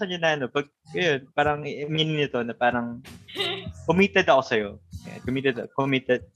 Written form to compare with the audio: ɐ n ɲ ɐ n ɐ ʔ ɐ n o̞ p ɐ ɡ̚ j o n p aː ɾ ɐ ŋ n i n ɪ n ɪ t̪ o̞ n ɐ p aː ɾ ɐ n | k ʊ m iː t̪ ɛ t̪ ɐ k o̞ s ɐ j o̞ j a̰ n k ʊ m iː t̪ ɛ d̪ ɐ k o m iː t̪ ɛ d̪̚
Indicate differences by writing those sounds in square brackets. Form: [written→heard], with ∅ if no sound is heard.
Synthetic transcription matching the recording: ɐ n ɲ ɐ n ɐ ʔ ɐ n o̞ p ɐ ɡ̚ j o n p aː ɾ ɐ ŋ [n→m] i n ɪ n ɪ t̪ o̞ n ɐ p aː ɾ ɐ [n→ŋ] | k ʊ m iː t̪ ɛ [t̪→d̪] ɐ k o̞ s ɐ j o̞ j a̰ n k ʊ m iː t̪ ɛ d̪ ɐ k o m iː t̪ ɛ d̪̚